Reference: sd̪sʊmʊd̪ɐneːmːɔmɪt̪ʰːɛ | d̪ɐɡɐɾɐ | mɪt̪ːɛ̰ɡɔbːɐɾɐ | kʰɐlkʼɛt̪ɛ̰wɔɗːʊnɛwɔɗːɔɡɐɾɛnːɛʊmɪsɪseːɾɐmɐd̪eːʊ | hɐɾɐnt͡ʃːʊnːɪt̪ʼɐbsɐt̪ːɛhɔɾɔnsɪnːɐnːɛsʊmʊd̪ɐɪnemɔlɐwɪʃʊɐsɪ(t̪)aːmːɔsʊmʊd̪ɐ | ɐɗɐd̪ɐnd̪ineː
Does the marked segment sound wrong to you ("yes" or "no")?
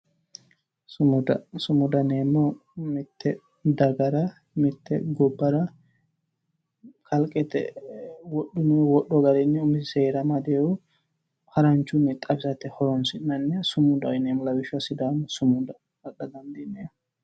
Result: yes